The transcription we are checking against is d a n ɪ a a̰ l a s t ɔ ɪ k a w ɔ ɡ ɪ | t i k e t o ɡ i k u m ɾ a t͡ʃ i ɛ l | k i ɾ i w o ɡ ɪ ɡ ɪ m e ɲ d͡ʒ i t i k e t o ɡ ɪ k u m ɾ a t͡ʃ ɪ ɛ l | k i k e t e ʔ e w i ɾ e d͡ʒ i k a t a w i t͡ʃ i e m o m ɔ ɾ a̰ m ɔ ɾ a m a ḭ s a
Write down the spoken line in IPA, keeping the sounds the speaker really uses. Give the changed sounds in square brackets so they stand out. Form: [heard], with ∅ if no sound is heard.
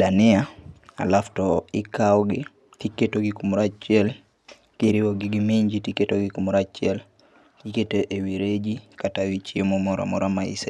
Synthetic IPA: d a n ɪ a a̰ l a [f] t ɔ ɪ k a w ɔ ɡ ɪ | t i k e t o ɡ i k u m ɾ a t͡ʃ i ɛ l | k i ɾ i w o ɡ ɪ ɡ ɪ m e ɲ d͡ʒ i t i k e t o ɡ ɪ k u m ɾ a t͡ʃ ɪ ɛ l | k i k e t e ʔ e w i ɾ e d͡ʒ i k a t a w i t͡ʃ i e m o m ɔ ɾ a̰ m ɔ ɾ a m a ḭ s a

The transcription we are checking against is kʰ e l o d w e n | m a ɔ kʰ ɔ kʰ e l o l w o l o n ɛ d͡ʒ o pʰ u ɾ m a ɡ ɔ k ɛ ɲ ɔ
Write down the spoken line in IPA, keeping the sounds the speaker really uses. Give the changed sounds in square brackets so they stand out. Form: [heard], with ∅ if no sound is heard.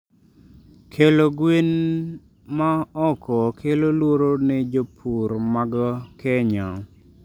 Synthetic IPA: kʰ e l o [ɡ] w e n | m a ɔ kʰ ɔ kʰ e l o l w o [ɾ] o n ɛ d͡ʒ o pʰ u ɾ m a ɡ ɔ k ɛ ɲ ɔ

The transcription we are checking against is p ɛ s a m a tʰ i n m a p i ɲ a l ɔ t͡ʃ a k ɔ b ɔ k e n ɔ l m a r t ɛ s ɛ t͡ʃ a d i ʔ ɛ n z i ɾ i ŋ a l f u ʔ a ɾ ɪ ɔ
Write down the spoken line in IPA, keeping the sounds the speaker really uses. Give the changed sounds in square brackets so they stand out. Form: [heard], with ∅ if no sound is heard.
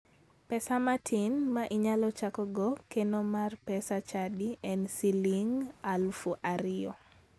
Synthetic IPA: p ɛ s a m a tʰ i n m a [ʔ] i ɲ a l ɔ t͡ʃ a k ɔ [ɡ] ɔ k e n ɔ [∅] m a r [p] ɛ s [a] t͡ʃ a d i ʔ ɛ n [s] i [l] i ŋ a l f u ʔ a ɾ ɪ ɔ

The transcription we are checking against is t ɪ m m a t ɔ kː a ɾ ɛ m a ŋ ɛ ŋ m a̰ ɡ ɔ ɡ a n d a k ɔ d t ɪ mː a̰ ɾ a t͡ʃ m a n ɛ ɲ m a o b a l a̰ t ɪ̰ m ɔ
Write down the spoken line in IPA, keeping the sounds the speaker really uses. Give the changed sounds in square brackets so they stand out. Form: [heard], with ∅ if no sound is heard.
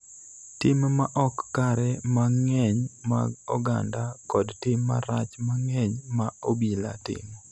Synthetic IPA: t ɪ m m a [ʔ] ɔ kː a ɾ ɛ m a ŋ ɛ [ɲ] m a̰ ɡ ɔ ɡ a n d a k ɔ d t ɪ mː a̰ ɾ a t͡ʃ m a [ŋ] ɛ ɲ m a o b [i] l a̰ t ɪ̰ m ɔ

